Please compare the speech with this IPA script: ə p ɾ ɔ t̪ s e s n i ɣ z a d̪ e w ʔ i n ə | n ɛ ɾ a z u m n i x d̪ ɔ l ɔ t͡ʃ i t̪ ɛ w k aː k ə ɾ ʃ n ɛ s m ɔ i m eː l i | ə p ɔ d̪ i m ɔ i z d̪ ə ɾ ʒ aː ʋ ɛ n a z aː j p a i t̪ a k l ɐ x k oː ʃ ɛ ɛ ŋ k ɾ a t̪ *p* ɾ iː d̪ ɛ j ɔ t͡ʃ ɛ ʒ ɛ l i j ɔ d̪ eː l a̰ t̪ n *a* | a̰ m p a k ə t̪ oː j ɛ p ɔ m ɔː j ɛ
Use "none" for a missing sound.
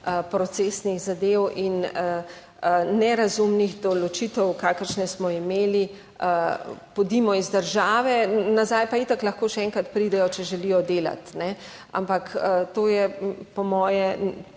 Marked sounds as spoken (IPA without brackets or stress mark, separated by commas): p, ɛ